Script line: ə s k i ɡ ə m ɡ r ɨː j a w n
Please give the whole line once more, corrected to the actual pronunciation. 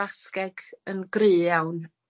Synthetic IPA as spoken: a s k ɛ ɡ ə n ɡ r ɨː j a w n